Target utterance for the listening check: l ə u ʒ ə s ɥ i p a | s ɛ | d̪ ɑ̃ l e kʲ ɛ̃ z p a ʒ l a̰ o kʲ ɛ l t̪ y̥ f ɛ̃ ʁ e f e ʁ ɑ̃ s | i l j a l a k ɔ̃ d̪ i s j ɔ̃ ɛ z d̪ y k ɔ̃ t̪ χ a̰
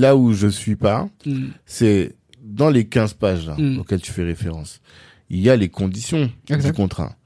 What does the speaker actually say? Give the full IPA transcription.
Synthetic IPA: l a u ʒ ə s ɥ i p a | s ɛ | d̪ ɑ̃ l e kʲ ɛ̃ z p a ʒ l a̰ o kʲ ɛ l t̪ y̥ f ɛ ʁ e f e ʁ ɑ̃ s | i l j a l e k ɔ̃ d̪ i s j ɔ̃ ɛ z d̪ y k ɔ̃ t̪ χ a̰